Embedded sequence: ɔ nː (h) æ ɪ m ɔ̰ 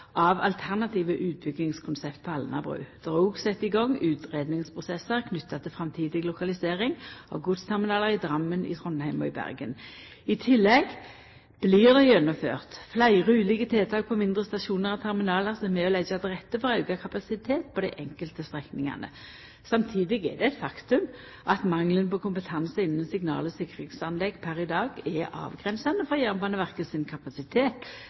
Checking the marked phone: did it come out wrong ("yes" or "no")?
no